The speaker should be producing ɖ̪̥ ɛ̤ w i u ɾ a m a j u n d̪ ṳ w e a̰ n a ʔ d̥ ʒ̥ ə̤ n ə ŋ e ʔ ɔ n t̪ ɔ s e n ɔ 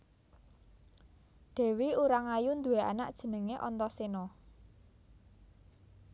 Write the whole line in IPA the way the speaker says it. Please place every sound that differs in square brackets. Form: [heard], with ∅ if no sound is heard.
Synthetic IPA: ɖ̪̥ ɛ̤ w i u ɾ a [ŋ] a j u n d̪ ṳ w e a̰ n a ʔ d̥ ʒ̥ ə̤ n ə ŋ e ʔ ɔ n t̪ ɔ s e n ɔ